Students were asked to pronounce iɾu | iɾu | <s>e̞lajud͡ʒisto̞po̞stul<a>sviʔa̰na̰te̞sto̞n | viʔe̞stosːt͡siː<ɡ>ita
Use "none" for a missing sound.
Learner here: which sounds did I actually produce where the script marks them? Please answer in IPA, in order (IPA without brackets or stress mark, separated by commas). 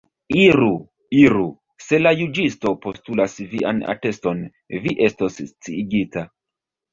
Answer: s, a, ɡ